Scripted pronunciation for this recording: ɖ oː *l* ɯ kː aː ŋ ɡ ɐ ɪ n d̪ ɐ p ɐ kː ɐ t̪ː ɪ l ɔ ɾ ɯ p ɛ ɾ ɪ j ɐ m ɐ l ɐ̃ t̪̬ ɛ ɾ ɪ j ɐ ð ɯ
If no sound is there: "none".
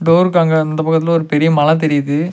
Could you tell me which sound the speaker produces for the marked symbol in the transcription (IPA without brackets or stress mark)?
ɾ